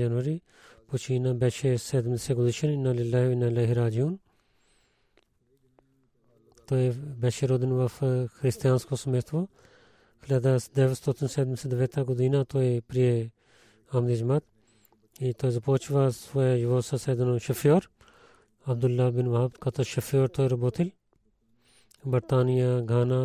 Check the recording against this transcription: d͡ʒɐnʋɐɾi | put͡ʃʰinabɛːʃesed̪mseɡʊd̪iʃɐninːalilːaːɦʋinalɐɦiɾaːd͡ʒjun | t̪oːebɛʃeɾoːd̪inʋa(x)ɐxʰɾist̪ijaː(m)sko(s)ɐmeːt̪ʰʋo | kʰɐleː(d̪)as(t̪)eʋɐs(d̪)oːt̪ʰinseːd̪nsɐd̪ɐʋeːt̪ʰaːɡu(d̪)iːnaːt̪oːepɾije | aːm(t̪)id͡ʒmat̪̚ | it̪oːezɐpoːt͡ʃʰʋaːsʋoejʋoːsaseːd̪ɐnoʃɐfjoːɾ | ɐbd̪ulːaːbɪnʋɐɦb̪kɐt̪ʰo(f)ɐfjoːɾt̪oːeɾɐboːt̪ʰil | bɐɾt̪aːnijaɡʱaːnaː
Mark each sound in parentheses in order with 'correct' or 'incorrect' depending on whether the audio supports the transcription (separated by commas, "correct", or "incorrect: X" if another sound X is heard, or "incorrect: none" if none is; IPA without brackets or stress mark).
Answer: incorrect: f, incorrect: n, correct, correct, incorrect: d̪, incorrect: t̪, correct, incorrect: d̪, incorrect: ʃ